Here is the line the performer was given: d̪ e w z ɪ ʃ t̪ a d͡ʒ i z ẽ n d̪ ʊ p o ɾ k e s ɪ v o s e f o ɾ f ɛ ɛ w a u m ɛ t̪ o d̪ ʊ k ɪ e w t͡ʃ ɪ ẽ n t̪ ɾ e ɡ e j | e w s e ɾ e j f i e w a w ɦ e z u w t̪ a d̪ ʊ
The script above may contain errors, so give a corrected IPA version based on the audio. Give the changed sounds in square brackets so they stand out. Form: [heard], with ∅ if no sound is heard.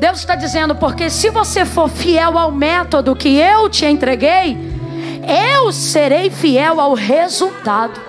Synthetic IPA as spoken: d̪ e w z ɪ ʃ t̪ a d͡ʒ i z ẽ n d̪ ʊ p o ɾ k e s ɪ v o s e f o ɾ f [i] ɛ w a [w] m ɛ t̪ o d̪ ʊ k ɪ e w t͡ʃ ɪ ẽ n t̪ ɾ e ɡ e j | e w s e ɾ e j f i [ɛ] w a w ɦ e z u w t̪ a d̪ ʊ